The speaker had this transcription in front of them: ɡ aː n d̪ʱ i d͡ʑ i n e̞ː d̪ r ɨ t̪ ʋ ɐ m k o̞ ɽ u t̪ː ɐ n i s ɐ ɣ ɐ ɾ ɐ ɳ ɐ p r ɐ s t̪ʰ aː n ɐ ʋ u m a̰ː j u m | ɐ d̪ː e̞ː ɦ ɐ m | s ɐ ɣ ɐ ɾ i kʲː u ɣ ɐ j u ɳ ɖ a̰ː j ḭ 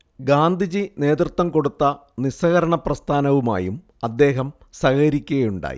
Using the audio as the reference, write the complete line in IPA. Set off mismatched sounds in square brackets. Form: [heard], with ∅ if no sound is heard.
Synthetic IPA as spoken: ɡ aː n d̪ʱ i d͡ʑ i n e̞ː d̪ r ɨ t̪ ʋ ɐ m k o̞ ɽ u t̪ː ɐ n i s ɐ ɣ ɐ ɾ ɐ ɳ ɐ p r ɐ s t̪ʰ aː n ɐ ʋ u m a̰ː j u m | ɐ d̪ː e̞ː ɦ ɐ m | s ɐ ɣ ɐ ɾ i kʲː u ɣ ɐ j u ɳ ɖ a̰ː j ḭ